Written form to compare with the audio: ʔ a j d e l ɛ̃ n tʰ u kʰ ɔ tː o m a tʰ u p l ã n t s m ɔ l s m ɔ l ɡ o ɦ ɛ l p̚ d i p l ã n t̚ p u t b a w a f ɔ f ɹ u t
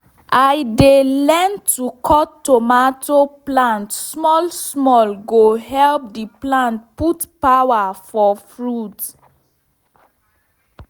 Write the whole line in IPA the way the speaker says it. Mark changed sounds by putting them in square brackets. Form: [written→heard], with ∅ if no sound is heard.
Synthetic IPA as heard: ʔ a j d e l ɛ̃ n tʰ u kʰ ɔ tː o m a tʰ [u→o] p l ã n t s m ɔ l s m ɔ l ɡ o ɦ ɛ l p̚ d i p l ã n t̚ p u t [b→p] a w a f ɔ f ɹ u t